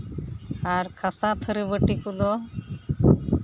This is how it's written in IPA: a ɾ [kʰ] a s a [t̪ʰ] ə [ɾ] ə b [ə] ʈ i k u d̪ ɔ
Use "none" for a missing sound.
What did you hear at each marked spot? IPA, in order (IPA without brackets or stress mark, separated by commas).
kʰ, t̪ʰ, ɾ, ə